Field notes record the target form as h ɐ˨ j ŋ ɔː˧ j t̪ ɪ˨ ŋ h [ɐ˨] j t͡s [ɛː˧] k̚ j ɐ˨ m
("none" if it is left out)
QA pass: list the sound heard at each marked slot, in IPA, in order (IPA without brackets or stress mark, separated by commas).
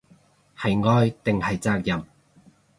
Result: ɐ˨, aː˧